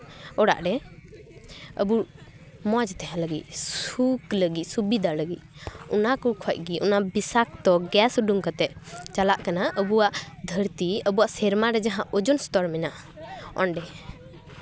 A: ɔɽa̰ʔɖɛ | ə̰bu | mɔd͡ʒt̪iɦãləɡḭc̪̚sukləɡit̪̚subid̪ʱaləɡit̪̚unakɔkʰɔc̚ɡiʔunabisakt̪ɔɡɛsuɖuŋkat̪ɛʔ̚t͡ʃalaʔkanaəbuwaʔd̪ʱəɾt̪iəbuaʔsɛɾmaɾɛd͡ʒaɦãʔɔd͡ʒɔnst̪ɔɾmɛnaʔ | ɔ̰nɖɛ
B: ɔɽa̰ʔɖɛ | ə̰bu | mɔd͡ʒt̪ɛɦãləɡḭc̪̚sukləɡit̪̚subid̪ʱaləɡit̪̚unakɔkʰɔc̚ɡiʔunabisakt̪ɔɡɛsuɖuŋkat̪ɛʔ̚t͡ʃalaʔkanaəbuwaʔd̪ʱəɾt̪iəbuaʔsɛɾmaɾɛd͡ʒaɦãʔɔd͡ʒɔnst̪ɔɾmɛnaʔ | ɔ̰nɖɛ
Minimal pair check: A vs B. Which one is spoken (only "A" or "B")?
B